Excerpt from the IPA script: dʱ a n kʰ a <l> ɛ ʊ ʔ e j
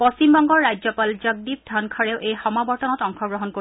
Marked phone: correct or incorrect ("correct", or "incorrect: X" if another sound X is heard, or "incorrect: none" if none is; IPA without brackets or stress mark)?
incorrect: ɹ